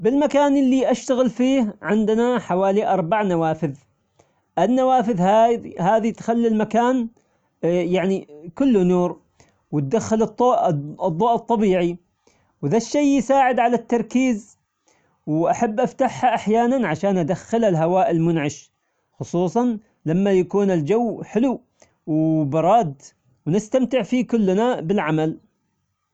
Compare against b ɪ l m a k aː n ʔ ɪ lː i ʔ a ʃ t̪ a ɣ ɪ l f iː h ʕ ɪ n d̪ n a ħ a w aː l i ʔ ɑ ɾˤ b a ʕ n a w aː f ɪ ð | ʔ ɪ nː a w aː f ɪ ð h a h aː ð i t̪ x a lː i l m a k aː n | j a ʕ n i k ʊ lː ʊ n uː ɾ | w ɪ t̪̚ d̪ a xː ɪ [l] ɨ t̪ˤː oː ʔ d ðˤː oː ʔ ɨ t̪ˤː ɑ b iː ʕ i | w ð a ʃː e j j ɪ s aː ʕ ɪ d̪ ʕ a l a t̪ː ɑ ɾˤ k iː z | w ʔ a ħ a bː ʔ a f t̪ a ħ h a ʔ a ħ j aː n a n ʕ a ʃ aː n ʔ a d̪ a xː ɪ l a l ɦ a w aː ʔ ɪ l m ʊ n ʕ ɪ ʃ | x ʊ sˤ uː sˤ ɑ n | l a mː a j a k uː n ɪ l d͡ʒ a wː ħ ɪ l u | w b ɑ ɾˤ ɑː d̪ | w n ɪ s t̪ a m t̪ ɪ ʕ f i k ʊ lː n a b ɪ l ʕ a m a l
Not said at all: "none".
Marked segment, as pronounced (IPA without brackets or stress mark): l